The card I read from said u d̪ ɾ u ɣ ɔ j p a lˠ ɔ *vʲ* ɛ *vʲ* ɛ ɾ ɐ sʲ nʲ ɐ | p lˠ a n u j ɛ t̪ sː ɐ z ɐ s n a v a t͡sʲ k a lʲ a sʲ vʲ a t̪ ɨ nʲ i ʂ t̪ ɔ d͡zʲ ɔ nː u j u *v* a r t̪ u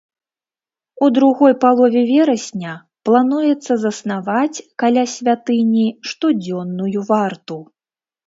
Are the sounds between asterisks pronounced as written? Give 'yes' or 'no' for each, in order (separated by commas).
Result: yes, yes, yes